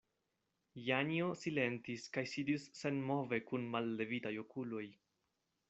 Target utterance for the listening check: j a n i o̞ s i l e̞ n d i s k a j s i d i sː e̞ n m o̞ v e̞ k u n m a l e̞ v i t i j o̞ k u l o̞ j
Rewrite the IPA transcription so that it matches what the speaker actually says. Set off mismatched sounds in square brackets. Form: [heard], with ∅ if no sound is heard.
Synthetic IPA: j a n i o̞ s i l e̞ n [t] i s k a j s i d i sː e̞ n m o̞ v e̞ k u n m a [lː] e̞ v i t [a] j o̞ k u l o̞ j